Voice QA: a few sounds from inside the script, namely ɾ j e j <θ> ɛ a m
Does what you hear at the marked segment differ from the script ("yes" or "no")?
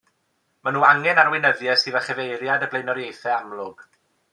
no